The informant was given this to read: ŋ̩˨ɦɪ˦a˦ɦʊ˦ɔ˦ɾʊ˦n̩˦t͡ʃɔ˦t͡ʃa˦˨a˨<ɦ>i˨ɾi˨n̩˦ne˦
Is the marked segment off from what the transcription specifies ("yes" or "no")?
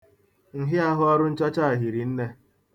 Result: no